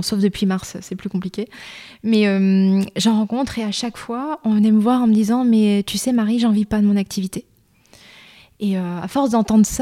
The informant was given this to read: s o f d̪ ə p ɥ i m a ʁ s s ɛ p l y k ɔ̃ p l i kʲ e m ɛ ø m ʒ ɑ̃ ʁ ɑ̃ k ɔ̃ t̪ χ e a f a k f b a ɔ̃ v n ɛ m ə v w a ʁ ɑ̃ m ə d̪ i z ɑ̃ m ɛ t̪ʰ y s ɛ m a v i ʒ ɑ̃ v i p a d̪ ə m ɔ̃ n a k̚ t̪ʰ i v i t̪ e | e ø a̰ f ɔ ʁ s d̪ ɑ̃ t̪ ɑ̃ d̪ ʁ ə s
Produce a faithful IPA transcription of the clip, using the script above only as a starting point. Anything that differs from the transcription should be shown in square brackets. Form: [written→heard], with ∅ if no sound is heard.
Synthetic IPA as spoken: s o f d̪ ə p ɥ i m a ʁ s s ɛ p l y k ɔ̃ p l i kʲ e m ɛ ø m ʒ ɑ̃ ʁ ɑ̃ k ɔ̃ t̪ χ e a [f→ʃ] a k f [b→w] a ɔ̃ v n ɛ m ə v w a ʁ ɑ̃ m ə d̪ i z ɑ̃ m ɛ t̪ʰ y s ɛ m a [v→ʁ] i ʒ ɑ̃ v i p a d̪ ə m ɔ̃ n a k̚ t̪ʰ i v i t̪ e | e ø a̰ f ɔ ʁ s d̪ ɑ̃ t̪ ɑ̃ d̪ ʁ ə s